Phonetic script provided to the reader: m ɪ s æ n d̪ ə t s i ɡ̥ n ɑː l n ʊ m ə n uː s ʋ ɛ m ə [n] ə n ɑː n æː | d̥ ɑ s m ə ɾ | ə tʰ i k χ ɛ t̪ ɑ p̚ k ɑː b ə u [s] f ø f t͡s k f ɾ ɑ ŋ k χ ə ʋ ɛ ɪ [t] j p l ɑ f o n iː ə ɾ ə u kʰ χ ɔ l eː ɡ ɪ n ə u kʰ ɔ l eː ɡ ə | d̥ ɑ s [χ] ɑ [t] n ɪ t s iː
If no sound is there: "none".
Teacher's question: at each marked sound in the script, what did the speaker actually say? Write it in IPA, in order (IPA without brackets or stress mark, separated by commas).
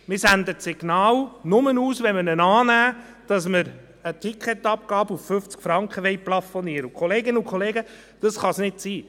n, f, none, χ, s